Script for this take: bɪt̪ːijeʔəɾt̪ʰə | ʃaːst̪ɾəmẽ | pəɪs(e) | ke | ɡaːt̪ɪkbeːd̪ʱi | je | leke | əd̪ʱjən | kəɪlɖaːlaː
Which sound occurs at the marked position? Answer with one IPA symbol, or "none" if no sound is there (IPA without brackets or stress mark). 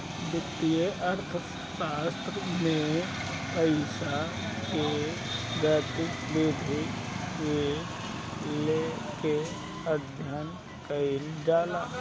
a